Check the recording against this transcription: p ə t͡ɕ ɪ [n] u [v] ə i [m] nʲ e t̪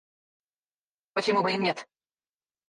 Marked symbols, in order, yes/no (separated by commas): no, no, yes